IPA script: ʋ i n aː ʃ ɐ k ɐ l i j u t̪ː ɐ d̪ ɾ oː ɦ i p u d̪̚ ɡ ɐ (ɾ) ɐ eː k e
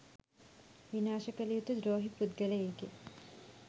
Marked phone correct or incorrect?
incorrect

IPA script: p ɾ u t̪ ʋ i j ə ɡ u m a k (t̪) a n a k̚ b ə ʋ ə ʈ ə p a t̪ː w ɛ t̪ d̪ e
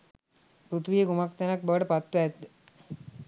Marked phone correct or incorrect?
correct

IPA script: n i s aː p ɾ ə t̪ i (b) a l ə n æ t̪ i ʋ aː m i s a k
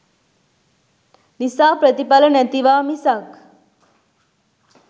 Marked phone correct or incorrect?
incorrect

